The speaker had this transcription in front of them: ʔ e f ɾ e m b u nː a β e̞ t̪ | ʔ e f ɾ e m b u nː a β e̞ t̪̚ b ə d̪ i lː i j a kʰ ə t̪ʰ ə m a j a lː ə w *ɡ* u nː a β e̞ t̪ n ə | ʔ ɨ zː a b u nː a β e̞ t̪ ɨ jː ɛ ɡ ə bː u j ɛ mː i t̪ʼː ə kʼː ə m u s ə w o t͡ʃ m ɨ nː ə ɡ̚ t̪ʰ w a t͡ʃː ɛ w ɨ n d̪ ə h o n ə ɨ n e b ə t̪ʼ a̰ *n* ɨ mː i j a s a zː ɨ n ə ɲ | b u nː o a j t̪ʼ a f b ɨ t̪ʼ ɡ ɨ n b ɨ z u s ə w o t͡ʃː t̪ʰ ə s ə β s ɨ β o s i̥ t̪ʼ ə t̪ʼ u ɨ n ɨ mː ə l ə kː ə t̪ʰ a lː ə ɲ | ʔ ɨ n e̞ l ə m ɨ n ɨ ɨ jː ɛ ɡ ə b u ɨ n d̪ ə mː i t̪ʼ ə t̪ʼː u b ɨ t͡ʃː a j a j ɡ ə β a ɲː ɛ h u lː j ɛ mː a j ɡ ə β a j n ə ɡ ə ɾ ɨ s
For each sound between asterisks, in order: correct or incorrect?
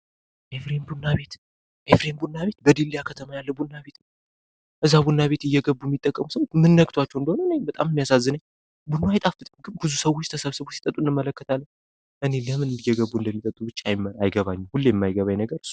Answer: incorrect: b, incorrect: m

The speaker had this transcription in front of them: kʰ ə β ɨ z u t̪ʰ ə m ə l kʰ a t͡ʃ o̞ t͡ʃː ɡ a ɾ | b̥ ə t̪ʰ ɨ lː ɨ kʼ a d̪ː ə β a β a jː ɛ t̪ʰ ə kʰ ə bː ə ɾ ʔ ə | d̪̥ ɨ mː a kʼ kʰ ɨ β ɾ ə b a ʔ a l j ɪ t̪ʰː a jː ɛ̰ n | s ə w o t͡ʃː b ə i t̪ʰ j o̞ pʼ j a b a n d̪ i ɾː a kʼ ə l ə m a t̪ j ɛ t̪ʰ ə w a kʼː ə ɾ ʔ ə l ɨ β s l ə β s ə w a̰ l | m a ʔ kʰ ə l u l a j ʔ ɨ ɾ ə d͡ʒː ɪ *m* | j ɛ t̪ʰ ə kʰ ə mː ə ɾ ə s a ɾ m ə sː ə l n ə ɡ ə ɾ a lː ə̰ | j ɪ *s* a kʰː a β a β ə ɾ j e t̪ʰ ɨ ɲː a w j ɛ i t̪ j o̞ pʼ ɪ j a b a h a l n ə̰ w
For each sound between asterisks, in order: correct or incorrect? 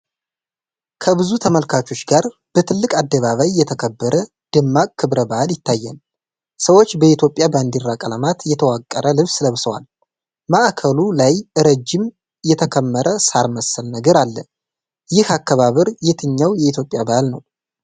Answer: correct, incorrect: h

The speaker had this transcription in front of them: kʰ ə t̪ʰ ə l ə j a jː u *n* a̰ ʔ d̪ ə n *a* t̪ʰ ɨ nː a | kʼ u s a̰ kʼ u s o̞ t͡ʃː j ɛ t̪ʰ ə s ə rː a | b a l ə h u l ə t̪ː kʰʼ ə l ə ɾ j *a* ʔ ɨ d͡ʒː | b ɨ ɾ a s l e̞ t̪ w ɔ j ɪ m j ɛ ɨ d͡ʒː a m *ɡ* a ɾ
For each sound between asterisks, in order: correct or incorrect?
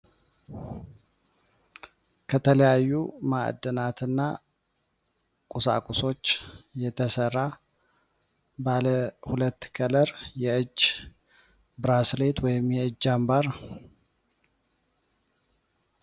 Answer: incorrect: m, correct, incorrect: ɛ, incorrect: b

